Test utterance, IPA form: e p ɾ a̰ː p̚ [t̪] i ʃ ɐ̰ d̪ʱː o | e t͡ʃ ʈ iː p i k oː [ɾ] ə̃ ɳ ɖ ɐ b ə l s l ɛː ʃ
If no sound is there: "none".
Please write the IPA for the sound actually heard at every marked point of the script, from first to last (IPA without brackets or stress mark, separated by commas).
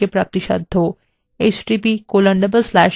t̪, l